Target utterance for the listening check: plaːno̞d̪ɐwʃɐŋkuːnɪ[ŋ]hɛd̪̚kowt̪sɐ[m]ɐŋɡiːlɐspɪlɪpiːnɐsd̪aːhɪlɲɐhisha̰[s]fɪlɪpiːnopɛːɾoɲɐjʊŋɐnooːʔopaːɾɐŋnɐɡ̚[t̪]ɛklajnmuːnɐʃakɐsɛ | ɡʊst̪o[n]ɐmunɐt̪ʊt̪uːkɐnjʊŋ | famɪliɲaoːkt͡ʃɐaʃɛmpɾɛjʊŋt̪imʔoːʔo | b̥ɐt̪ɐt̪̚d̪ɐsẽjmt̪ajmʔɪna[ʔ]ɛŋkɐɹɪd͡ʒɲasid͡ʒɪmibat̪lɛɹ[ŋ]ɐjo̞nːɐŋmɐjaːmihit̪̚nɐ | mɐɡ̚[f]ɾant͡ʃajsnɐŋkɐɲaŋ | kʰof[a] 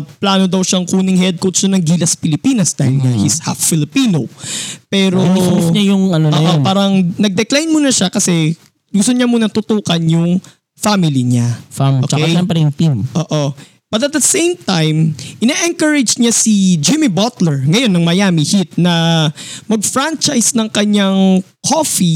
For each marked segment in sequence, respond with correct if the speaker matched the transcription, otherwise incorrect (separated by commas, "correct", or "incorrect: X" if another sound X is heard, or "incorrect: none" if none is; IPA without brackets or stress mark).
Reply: correct, incorrect: n, incorrect: f, incorrect: d̪, incorrect: ɲ, correct, correct, correct, incorrect: i